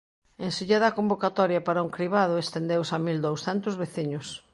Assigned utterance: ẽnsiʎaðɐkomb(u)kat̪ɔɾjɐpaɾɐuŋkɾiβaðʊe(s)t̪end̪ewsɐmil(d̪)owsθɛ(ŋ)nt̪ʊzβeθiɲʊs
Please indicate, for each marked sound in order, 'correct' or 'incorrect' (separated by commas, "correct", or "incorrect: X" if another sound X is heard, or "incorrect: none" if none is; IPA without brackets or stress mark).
incorrect: o, correct, correct, incorrect: none